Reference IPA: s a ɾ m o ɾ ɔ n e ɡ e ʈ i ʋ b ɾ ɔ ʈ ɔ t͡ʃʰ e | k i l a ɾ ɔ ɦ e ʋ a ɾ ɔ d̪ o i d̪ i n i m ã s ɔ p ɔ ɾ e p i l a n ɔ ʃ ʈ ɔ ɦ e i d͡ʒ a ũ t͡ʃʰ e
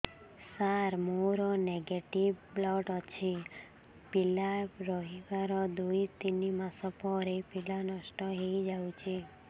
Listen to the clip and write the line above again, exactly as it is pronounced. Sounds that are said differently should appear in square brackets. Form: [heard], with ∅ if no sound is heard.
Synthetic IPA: s a ɾ m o ɾ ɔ n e ɡ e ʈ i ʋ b [l] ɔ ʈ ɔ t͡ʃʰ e | [p] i l a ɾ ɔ ɦ [i] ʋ a ɾ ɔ d̪ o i [t̪] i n i m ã s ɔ p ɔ ɾ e p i l a n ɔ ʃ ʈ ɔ ɦ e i d͡ʒ a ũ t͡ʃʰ e